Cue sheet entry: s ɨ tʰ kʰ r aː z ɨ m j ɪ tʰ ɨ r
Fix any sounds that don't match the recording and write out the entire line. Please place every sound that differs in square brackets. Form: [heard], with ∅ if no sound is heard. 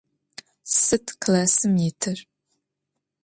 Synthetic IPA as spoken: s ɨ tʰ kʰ [l] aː [s] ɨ m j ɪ tʰ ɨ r